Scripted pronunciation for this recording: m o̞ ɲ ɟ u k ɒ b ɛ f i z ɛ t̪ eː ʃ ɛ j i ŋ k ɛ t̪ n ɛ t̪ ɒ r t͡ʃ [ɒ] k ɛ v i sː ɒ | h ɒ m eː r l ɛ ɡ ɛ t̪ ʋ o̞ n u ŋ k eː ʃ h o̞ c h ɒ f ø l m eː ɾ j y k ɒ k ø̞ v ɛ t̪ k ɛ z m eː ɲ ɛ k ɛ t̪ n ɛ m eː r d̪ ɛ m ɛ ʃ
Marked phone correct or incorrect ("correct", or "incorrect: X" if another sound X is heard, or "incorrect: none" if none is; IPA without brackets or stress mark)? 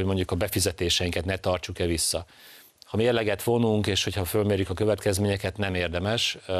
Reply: incorrect: u